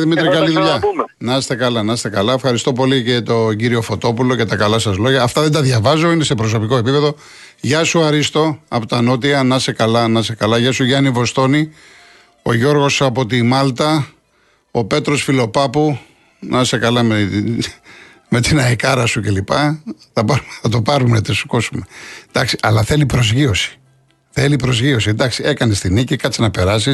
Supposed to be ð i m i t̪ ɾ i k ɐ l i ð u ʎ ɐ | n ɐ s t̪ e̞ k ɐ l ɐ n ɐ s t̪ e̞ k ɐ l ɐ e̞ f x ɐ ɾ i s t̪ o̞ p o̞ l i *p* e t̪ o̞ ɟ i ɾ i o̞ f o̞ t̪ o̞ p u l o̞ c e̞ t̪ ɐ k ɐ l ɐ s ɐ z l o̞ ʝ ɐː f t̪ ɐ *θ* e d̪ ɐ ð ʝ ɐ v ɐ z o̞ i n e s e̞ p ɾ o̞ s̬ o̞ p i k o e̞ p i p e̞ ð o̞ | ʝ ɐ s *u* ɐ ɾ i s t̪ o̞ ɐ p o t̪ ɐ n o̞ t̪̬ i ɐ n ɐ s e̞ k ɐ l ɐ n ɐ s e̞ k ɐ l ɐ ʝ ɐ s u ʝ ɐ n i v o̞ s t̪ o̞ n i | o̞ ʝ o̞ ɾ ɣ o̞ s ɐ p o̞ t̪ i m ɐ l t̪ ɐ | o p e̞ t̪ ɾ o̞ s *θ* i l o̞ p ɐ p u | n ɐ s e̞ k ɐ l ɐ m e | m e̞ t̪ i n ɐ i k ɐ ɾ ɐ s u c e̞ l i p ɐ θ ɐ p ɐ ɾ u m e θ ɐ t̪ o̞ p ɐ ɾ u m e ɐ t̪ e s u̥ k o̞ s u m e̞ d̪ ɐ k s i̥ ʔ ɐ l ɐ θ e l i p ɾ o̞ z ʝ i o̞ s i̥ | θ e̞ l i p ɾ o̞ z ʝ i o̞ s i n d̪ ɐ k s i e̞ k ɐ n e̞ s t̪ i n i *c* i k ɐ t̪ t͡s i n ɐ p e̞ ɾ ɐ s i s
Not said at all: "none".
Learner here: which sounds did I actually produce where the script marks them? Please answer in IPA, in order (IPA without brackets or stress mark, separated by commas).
c, ð, u, f, c